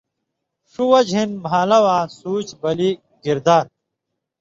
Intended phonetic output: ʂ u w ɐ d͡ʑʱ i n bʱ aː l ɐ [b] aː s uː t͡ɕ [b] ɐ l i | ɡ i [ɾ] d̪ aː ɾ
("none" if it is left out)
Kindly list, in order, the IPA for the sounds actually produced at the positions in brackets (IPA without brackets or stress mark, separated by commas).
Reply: w, b, ɾ